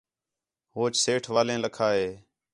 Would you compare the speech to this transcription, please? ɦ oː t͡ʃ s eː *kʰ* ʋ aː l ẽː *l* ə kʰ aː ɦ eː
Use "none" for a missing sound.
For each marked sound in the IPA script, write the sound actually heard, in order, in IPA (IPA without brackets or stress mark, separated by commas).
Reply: ʈʰ, l